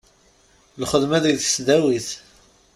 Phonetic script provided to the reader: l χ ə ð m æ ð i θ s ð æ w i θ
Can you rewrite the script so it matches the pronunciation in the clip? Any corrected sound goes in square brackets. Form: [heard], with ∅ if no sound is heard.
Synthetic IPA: l χ ə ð m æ ð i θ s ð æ w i θ